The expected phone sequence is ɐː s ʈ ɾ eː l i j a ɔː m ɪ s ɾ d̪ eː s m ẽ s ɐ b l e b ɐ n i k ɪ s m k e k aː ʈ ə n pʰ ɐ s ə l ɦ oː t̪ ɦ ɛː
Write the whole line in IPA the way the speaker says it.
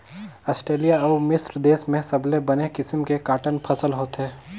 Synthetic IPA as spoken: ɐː s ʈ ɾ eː l i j a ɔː m ɪ s ɾ d̪ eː s m ẽ s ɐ b l e b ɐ n e k ɪ s m k e k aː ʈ ə n pʰ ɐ s ə l ɦ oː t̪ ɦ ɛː